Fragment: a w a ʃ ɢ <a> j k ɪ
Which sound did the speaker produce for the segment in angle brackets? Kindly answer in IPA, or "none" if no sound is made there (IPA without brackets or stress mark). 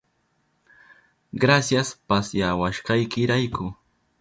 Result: ɑ